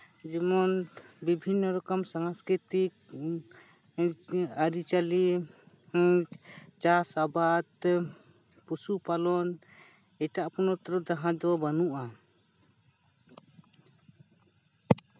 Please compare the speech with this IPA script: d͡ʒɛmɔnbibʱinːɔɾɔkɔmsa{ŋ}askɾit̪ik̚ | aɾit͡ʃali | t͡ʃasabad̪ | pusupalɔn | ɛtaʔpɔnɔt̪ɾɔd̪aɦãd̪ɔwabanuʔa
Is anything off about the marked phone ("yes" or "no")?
no